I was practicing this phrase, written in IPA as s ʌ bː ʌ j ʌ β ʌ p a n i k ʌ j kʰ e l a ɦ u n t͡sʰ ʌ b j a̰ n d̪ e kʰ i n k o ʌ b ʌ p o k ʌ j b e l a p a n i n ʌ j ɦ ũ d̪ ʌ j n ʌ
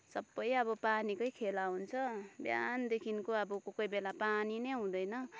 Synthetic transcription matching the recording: s ʌ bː ʌ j ʌ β ʌ p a n i k ʌ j kʰ e l a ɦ u n t͡sʰ ʌ b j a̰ n d̪ e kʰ i n k o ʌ b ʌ k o k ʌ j b e l a p a n i n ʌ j ɦ ũ d̪ ʌ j n ʌ